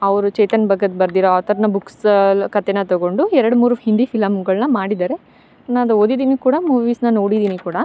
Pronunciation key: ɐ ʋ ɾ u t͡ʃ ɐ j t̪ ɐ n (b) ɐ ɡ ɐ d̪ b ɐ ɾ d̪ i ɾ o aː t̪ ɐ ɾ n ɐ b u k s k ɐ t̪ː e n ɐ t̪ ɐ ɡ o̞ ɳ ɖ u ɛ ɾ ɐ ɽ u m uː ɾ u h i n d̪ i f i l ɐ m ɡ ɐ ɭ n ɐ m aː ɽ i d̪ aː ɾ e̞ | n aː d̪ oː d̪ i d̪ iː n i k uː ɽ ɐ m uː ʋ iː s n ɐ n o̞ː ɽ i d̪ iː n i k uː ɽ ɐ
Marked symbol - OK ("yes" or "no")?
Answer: yes